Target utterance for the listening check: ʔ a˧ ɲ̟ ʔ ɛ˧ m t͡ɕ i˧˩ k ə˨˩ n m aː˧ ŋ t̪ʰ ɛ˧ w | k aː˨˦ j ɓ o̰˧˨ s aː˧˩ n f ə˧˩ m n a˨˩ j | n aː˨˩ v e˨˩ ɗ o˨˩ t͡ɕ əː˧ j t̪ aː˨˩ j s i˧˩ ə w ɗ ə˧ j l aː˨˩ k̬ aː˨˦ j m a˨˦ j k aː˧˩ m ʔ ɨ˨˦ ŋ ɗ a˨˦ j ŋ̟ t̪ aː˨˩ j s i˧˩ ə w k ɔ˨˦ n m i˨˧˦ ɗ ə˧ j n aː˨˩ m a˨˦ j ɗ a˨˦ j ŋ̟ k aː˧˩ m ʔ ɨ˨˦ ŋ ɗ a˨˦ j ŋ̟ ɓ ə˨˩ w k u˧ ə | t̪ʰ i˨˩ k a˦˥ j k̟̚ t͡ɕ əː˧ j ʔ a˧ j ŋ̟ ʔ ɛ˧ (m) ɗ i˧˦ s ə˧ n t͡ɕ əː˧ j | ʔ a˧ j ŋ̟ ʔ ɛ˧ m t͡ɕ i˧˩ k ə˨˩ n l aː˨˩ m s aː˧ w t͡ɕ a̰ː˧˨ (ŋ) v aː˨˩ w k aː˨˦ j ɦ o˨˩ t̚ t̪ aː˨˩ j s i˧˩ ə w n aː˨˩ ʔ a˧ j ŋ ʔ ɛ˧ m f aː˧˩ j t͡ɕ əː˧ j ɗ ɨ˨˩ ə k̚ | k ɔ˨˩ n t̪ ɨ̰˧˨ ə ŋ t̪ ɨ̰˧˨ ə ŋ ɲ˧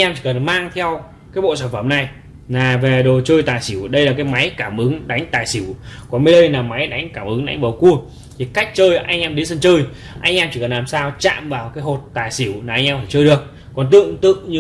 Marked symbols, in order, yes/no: yes, no

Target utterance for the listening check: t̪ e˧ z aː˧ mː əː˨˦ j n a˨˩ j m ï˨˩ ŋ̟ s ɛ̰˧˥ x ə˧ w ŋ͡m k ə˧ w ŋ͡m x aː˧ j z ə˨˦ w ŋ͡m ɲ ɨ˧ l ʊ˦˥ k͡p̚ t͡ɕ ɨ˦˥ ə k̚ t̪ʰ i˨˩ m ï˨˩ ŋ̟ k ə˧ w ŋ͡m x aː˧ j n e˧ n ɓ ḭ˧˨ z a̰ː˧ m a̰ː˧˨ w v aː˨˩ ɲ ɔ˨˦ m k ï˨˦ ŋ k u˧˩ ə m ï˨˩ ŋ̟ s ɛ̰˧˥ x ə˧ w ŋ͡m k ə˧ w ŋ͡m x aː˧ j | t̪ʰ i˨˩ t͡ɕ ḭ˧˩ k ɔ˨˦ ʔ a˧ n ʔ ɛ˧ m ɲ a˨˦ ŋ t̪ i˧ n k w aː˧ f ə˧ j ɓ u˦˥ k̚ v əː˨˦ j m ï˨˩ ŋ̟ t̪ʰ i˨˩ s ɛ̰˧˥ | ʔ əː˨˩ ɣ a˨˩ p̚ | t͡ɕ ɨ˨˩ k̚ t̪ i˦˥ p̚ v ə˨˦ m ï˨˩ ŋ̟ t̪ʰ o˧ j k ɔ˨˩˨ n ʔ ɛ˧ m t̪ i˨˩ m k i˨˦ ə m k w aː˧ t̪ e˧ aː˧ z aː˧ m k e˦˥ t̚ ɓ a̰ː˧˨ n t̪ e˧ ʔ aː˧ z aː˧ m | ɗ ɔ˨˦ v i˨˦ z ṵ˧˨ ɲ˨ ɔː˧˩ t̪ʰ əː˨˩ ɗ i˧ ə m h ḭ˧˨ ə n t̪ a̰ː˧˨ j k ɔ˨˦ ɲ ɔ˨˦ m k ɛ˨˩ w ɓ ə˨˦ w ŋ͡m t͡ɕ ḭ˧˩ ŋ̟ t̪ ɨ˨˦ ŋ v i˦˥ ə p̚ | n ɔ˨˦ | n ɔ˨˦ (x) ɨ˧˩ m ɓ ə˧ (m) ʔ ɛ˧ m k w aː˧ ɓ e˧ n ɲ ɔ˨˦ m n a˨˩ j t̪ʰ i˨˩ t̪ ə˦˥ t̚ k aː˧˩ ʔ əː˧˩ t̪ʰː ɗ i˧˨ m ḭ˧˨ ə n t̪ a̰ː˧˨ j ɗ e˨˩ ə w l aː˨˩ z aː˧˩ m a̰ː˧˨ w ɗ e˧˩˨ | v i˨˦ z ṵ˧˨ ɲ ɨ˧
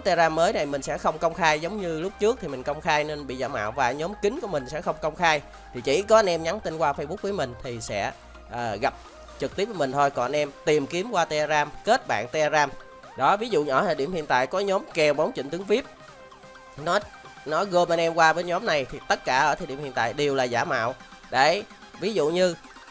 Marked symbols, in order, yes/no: no, no

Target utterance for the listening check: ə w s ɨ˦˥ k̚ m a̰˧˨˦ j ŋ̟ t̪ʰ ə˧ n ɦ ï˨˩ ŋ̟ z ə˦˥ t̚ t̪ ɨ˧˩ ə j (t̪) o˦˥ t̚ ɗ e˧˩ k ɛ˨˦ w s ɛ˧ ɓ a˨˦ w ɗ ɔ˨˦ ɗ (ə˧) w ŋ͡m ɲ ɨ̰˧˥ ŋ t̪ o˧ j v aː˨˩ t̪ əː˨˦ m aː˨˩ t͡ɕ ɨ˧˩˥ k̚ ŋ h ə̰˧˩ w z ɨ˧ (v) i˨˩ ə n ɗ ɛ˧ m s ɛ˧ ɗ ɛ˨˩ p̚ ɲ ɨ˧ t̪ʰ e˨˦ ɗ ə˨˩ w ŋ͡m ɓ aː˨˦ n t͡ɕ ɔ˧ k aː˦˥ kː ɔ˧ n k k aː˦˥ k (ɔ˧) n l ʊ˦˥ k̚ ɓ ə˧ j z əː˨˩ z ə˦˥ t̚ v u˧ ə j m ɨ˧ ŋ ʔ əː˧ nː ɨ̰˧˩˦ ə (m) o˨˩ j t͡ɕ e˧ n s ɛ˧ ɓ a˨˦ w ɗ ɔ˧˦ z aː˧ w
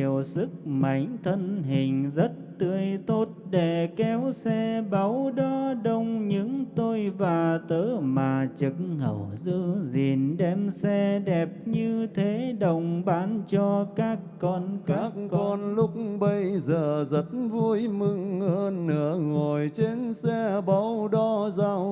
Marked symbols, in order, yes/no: yes, yes, no, yes, no

